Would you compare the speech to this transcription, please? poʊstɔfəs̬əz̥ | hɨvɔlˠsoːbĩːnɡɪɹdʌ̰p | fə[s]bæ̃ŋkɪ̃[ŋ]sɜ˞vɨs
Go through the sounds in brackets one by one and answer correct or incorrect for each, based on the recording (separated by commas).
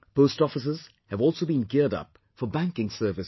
incorrect, correct